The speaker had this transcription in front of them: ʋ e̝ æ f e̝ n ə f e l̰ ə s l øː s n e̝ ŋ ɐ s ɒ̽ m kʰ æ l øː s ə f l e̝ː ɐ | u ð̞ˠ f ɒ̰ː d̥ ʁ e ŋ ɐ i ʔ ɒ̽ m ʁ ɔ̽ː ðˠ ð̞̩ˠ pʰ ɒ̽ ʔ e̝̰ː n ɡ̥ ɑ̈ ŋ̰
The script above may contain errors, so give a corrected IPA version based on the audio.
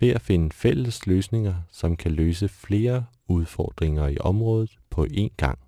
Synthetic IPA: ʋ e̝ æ f e̝ n ə f e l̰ ə s l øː s n e̝ ŋ ɐ s ɒ̽ m kʰ æ l øː s ə f l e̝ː ɐ | u ð̞ˠ f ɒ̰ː d̥ ʁ e ŋ ɐ i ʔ ɒ̽ m ʁ ɔ̽ː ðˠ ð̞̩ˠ pʰ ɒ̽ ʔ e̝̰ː n ɡ̥ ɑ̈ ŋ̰